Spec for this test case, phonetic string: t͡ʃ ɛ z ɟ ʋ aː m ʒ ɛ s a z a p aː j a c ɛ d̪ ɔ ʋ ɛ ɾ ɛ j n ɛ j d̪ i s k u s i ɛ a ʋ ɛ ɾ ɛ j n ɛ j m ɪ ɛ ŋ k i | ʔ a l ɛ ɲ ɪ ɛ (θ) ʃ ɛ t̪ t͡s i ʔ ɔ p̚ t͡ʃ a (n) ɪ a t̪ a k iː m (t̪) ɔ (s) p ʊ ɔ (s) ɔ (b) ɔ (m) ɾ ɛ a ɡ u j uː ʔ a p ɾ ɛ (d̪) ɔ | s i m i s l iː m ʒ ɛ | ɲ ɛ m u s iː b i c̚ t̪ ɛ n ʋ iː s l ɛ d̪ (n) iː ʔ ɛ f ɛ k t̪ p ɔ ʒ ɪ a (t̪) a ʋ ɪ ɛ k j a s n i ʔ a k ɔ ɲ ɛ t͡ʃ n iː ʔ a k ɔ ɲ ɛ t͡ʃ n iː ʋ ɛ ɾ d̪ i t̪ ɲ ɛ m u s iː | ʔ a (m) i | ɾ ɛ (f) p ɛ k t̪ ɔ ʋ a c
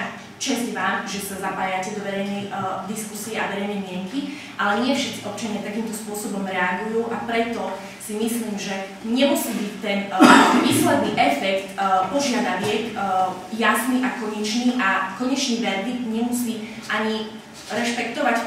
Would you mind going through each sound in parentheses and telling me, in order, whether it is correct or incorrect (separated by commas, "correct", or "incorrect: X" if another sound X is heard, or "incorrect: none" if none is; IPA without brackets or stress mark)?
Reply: incorrect: f, incorrect: ɲ, correct, correct, correct, correct, correct, incorrect: t̪, correct, incorrect: d̪, incorrect: ɲ, incorrect: ʃ